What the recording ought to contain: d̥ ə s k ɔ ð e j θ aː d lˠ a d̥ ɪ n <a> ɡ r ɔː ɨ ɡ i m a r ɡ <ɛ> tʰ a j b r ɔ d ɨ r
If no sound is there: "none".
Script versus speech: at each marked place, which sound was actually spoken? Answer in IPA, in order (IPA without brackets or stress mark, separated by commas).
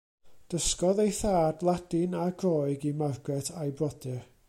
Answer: a, ɛ